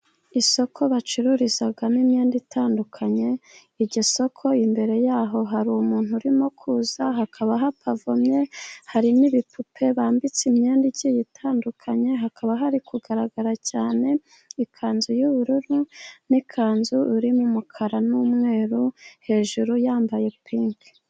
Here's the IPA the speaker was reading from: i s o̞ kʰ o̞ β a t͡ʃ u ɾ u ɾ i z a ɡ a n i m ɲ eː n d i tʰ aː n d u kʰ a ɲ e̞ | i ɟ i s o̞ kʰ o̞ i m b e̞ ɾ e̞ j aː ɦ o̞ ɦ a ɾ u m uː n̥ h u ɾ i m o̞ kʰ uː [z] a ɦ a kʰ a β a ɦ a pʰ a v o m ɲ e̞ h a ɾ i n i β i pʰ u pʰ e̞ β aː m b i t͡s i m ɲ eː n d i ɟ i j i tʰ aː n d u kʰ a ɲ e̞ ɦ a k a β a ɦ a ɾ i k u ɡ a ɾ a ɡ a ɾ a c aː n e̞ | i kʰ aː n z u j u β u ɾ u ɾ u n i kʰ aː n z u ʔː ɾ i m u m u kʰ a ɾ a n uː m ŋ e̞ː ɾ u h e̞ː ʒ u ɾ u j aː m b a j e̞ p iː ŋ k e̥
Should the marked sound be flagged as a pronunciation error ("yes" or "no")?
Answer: no